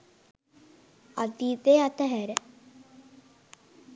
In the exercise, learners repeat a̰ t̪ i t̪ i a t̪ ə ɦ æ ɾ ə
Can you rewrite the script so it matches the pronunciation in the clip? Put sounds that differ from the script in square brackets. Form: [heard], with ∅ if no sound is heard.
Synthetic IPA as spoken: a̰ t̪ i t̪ [e] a t̪ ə ɦ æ ɾ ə